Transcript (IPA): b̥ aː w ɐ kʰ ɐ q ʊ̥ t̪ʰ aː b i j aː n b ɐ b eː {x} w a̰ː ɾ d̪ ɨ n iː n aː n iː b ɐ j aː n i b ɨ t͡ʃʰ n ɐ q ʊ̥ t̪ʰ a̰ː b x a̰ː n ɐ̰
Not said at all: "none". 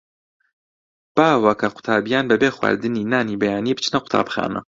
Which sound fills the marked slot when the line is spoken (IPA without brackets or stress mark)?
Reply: x